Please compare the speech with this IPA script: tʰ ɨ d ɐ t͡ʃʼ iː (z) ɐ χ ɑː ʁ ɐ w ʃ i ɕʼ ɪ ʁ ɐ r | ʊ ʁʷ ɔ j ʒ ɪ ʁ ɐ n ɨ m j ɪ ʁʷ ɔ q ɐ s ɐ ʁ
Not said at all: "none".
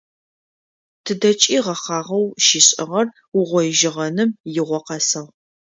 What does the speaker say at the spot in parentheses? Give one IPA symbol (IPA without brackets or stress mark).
ʁ